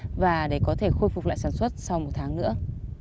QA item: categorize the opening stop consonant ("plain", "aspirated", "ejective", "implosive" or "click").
implosive